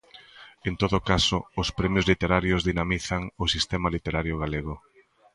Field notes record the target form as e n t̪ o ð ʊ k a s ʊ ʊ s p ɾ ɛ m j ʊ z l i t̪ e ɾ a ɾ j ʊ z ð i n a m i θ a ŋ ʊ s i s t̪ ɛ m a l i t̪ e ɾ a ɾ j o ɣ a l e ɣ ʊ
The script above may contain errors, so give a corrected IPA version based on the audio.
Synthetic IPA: e n t̪ o ð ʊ k a s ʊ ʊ s p ɾ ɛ m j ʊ z l i t̪ e ɾ a ɾ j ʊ z ð i n a m i θ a ŋ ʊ s i s t̪ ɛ m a l i t̪ e ɾ a ɾ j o ɣ a l e ɣ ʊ